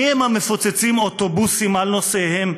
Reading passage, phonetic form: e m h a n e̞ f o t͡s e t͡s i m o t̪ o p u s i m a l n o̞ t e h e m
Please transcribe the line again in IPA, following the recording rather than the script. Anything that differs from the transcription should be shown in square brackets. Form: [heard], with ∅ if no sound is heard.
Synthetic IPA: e m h a [m] e̞ f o t͡s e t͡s i m o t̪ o [b] u s i m a l n o̞ [s] e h e m